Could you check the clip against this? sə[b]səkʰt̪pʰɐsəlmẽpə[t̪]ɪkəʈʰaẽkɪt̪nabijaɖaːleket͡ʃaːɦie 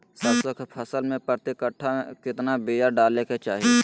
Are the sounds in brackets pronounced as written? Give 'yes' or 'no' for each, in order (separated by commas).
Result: yes, yes